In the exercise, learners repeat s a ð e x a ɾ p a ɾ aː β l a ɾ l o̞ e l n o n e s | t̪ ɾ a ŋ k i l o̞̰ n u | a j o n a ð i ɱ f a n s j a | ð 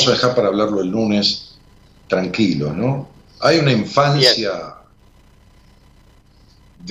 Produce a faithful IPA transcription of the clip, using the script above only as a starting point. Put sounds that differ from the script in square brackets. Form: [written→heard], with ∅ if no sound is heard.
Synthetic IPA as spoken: s a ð e x a ɾ p a ɾ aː β l a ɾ l o̞ e l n [o→u] n e s | t̪ ɾ a ŋ k i l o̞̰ n [u→o] | a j [o→u] n a [ð→∅] i ɱ f a n s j a | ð